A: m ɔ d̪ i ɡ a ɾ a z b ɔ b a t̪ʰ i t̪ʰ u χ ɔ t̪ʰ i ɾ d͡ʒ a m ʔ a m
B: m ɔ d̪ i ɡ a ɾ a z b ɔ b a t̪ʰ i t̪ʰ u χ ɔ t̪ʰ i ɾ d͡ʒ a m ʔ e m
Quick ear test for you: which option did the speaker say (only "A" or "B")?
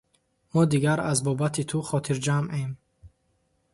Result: B